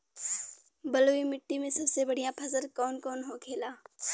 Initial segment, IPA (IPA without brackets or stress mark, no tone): b